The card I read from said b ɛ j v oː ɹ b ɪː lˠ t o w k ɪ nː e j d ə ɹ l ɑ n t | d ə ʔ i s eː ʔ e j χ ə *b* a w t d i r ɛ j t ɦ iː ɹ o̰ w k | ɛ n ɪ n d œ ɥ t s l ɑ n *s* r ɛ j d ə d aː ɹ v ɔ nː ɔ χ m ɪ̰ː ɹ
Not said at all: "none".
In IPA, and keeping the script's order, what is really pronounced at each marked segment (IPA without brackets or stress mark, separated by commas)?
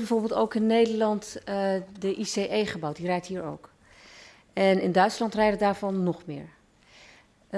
b, t